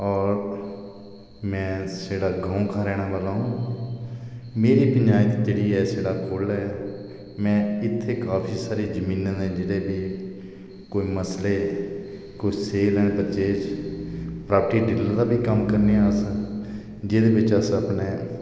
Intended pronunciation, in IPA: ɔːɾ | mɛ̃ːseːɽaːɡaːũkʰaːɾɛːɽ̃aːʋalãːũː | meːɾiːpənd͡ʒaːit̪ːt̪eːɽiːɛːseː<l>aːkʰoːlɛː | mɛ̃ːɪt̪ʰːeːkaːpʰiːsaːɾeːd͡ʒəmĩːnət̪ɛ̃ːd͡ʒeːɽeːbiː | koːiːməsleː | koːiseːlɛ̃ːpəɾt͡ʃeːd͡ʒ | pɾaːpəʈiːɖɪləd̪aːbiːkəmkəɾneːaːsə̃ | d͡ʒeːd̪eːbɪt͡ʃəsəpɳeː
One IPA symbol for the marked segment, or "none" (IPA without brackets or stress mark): ɽ